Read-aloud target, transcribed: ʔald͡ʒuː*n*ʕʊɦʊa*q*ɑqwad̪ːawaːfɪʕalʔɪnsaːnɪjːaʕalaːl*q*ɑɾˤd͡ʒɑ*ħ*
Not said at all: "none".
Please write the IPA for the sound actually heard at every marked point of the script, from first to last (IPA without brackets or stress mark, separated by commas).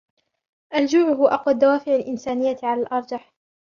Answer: none, ʔ, ʔ, ħ